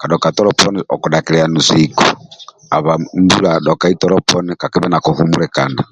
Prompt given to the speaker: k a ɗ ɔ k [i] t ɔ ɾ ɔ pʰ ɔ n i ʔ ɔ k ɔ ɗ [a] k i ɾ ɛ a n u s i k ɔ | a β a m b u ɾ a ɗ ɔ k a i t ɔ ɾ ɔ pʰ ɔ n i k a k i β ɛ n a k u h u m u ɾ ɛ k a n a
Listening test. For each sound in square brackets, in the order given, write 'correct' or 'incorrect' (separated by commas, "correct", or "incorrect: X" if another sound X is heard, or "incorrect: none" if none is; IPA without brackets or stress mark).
incorrect: a, correct